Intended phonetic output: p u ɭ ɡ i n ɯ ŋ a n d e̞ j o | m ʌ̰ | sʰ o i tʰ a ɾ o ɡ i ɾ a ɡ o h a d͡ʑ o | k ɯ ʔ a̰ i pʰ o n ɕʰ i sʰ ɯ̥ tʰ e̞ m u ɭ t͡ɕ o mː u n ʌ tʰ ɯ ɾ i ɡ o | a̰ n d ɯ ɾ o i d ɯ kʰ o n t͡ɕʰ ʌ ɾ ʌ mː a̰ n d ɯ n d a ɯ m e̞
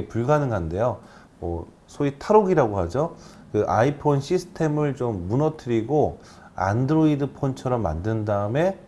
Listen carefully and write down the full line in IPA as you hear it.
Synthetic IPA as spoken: p u ɭ ɡ a n ɯ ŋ a n d e̞ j o | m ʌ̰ | sʰ o i tʰ a ɾ o ɡ i ɾ a ɡ o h a d͡ʑ o | k ɯ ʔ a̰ i pʰ o n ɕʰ i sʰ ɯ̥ tʰ e̞ m ɯ ɭ t͡ɕ o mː u n ʌ tʰ ɯ ɾ i ɡ o | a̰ n d ɯ ɾ o i d ɯ pʰ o n t͡ɕʰ ʌ ɾ ʌ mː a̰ n d ɯ n d a ɯ m e̞